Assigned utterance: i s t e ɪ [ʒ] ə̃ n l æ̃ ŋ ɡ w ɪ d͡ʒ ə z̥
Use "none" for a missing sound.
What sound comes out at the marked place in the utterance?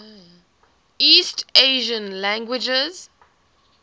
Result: ʒ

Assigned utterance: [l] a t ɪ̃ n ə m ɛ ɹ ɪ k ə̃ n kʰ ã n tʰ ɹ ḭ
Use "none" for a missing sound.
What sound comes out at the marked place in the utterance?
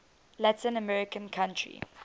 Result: l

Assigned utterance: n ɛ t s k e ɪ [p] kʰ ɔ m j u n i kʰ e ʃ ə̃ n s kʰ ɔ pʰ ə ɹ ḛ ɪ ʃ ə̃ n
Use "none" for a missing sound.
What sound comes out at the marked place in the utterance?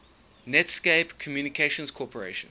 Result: p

